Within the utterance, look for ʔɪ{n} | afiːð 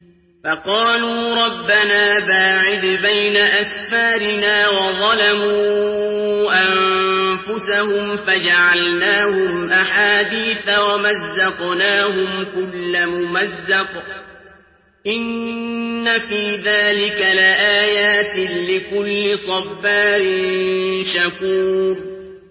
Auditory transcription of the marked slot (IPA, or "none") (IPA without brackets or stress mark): nː